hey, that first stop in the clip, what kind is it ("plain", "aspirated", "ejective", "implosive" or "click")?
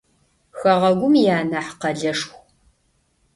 plain